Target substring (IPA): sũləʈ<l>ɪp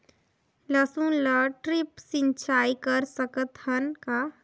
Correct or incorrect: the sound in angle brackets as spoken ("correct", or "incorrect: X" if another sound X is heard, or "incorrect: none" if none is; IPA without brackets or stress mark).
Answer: incorrect: ɾ